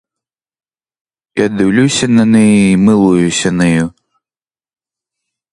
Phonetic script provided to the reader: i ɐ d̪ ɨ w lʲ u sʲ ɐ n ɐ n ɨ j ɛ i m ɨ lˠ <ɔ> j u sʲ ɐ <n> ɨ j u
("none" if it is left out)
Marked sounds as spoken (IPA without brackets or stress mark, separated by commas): u, n